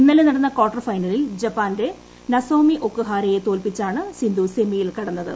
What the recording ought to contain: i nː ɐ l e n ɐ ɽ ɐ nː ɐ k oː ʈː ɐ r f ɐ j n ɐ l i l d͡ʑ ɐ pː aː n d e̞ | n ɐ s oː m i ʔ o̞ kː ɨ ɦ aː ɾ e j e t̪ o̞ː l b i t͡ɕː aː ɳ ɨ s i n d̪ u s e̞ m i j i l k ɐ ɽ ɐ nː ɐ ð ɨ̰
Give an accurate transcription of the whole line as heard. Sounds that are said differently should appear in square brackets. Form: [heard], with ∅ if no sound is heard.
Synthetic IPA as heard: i nː ɐ l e n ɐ ɽ ɐ nː ɐ k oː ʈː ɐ r f ɐ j n ɐ l i l d͡ʑ ɐ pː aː n d e̞ | n ɐ s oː m i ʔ o̞ kː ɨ ɦ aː ɾ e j e t̪ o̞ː l [p] i t͡ɕː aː ɳ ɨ s i n d̪ u s e̞ m i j i l k ɐ ɽ ɐ nː ɐ ð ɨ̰